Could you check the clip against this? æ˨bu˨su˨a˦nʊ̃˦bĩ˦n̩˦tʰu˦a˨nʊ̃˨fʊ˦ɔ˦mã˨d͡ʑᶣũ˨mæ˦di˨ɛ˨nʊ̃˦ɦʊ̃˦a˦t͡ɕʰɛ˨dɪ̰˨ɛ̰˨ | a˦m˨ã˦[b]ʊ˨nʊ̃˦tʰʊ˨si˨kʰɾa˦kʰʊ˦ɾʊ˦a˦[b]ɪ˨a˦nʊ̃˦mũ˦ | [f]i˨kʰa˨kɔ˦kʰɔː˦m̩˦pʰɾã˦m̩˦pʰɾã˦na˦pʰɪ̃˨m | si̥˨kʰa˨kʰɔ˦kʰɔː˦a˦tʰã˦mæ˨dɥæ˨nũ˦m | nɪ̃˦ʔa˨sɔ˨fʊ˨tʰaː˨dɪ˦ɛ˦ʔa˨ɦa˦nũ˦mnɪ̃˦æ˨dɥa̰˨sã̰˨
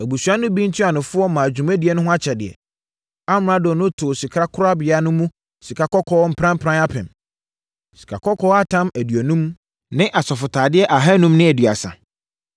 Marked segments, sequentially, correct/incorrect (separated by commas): incorrect, correct, incorrect